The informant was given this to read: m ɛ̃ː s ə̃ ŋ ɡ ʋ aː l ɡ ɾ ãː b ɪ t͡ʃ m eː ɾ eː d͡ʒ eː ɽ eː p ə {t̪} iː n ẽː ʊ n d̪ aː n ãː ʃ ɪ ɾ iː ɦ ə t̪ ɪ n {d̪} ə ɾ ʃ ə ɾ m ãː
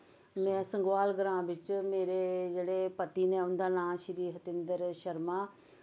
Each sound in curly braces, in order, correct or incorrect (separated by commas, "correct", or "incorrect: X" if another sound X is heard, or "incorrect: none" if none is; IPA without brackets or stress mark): correct, correct